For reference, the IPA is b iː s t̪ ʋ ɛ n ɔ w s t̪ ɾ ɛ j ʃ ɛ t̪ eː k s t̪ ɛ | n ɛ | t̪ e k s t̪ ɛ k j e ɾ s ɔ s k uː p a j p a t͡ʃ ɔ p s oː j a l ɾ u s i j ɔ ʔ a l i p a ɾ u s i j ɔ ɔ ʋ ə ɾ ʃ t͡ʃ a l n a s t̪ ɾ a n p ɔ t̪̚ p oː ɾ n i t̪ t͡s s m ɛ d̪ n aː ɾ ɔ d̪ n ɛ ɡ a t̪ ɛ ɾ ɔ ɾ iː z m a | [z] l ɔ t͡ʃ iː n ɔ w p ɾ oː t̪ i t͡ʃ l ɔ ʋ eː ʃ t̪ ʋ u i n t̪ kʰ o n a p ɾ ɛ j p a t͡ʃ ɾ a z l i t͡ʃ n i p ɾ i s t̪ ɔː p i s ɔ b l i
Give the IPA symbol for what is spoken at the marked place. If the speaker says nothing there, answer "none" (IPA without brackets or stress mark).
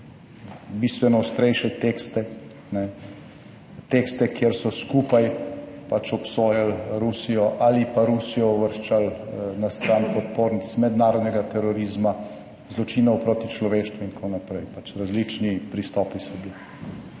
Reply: z